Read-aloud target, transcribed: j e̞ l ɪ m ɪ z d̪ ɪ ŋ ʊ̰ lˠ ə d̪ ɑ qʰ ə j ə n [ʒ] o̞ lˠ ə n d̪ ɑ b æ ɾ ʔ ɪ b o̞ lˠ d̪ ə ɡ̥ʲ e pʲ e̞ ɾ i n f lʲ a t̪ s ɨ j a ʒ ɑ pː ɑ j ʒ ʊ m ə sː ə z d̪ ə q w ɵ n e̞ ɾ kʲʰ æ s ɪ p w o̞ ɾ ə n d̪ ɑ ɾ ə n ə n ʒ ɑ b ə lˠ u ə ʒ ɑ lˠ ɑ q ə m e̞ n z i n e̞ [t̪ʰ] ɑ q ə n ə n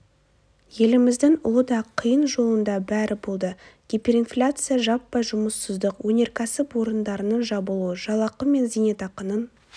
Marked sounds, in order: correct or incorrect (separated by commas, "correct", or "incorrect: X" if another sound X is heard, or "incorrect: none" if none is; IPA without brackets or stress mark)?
correct, incorrect: t̪